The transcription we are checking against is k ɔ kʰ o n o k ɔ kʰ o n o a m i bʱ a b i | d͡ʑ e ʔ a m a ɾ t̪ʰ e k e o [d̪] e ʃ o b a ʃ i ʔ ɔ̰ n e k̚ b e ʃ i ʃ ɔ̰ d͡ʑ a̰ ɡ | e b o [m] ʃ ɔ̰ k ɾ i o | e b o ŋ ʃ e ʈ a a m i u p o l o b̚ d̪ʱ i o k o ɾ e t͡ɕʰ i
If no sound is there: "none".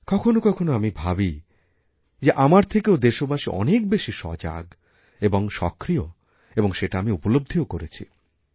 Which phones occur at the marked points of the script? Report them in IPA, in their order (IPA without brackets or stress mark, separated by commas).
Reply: d̪, ŋ